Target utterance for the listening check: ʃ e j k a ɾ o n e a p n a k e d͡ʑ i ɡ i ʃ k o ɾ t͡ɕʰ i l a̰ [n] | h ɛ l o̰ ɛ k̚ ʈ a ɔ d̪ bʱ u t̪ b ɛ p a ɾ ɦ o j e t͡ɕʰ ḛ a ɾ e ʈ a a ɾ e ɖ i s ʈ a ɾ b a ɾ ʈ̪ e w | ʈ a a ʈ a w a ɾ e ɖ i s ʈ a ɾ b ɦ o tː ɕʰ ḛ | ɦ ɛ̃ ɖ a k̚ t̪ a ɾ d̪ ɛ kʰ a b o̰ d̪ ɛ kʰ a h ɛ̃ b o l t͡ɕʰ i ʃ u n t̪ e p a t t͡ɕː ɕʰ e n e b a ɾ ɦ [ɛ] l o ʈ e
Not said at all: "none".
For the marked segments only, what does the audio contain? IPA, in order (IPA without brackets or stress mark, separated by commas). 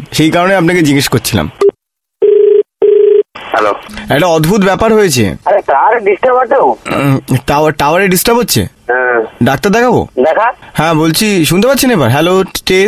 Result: m, ɛ